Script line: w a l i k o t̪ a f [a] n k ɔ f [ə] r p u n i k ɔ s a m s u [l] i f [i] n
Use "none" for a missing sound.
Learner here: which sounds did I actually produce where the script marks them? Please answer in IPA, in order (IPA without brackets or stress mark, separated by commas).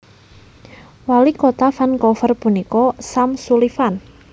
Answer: a, ə, l, a